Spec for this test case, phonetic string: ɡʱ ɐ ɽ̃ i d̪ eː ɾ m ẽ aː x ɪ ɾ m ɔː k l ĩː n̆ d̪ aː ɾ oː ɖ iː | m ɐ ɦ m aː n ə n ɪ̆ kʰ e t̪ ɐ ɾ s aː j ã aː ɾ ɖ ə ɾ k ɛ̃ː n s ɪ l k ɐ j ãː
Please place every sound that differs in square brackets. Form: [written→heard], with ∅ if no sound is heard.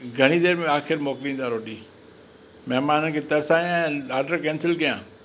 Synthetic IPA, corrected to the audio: ɡʱ ɐ ɽ̃ i d̪ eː ɾ m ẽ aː x ɪ ɾ m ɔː k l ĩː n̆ d̪ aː ɾ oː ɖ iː | m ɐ ɦ m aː n ə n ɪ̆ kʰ e t̪ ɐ ɾ s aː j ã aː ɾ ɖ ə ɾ k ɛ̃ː n s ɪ l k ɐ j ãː